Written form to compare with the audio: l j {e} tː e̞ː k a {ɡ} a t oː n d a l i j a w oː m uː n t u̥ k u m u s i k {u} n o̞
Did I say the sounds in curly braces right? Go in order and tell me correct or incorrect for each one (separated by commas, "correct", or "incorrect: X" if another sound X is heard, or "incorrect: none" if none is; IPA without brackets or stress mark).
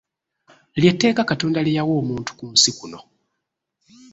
correct, incorrect: k, correct